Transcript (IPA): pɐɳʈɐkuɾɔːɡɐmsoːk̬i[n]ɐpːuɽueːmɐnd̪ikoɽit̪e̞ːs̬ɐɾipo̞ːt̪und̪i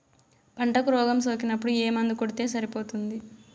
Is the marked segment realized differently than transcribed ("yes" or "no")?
no